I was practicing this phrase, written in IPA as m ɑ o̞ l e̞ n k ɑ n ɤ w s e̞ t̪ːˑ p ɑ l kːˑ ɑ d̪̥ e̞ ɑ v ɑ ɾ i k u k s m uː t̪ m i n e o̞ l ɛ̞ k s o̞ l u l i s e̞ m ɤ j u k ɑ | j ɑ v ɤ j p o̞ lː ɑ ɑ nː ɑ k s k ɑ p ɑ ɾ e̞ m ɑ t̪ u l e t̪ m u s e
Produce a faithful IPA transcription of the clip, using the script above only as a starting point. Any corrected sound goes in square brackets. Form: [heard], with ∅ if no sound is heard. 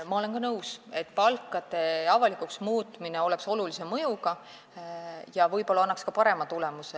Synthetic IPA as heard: m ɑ o̞ l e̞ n k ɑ n ɤ w s e̞ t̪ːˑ p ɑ l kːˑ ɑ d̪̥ e̞ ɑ v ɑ [l] i k u k s m uː t̪ m i n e o̞ l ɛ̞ k s o̞ l u l i s e̞ m ɤ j u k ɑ | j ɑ v ɤ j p o̞ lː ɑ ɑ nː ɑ k s k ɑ p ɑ ɾ e̞ m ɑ t̪ u l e [∅] m u s e